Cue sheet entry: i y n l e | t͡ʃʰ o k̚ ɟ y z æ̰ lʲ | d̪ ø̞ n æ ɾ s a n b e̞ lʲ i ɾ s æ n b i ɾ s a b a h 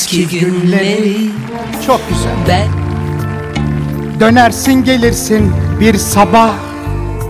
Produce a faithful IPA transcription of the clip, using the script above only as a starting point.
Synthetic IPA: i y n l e | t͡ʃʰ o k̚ ɟ y z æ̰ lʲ | d̪ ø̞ n æ ɾ s i n ɟ e̞ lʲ i ɾ s i n b i ɾ s a b a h